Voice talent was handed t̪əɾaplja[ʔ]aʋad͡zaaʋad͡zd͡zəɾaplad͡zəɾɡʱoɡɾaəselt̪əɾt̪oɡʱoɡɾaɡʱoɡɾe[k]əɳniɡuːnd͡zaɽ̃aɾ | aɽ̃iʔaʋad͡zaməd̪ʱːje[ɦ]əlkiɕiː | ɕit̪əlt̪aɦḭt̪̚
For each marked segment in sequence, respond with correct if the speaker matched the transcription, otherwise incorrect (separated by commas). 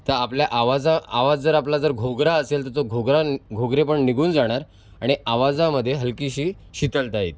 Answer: correct, incorrect, correct